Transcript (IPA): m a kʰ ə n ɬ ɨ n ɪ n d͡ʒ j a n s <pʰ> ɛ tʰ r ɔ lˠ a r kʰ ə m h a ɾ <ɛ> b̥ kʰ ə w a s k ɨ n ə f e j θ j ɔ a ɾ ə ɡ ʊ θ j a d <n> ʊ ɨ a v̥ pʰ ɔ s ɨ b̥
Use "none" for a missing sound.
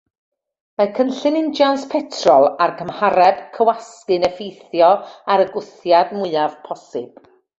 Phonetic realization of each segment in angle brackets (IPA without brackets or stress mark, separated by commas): pʰ, ɛ, m